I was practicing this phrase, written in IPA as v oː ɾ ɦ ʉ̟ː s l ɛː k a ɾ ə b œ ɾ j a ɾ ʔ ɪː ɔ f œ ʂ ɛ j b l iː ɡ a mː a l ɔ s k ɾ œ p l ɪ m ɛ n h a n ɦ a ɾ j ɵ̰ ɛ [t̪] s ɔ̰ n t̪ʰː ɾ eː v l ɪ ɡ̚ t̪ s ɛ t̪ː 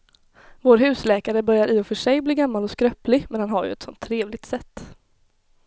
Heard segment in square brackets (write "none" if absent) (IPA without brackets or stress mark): t̪